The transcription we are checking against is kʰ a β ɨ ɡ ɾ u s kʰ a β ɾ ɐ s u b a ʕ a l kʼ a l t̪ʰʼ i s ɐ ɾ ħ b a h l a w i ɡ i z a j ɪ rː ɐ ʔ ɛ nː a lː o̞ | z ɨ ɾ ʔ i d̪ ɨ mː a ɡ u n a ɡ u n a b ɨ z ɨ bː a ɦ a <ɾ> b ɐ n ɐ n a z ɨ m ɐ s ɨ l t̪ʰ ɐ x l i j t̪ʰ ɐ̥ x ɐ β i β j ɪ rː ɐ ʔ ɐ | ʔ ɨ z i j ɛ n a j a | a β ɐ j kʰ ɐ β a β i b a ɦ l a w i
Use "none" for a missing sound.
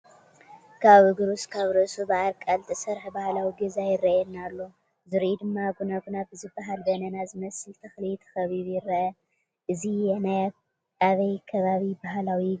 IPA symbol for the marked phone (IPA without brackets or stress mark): l